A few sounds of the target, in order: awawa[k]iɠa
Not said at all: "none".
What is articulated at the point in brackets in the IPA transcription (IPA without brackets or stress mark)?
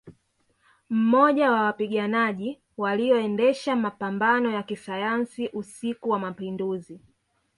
p